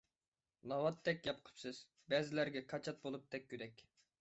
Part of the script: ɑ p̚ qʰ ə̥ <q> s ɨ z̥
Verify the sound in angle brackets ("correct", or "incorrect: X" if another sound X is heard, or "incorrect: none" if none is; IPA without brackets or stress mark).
incorrect: p